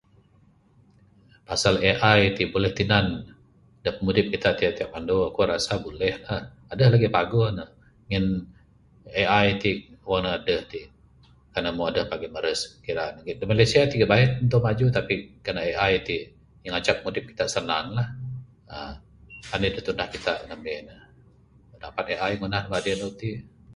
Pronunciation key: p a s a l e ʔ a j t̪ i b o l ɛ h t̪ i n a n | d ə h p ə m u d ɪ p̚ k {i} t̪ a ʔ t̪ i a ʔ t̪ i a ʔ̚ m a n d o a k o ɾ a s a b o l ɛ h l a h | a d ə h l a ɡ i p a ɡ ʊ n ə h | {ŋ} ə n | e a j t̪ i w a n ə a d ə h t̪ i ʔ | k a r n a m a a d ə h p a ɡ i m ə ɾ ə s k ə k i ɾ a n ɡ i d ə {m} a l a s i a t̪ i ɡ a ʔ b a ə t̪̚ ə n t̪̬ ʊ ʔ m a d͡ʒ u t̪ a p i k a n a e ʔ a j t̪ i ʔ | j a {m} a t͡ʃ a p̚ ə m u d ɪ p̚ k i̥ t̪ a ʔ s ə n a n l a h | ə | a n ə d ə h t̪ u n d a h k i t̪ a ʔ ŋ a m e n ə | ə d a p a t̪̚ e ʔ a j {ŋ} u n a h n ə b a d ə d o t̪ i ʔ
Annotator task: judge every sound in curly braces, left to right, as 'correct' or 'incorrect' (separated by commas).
correct, correct, correct, incorrect, correct